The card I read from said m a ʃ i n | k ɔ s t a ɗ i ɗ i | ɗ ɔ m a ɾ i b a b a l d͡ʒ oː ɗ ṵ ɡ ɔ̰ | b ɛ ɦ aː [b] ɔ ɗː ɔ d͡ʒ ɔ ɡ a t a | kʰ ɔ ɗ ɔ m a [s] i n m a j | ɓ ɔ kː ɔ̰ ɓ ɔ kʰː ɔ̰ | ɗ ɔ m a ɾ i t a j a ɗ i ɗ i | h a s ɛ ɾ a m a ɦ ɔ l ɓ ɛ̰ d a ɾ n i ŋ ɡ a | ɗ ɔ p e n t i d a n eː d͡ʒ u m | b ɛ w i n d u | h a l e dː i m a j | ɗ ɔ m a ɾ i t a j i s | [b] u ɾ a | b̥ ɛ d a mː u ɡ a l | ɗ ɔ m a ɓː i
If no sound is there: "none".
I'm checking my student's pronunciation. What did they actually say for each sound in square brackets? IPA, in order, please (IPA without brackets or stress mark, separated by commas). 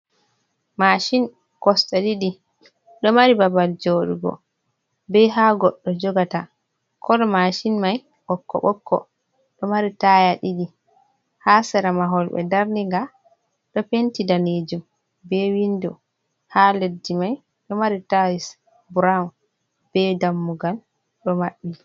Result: ɡ, ʃ, b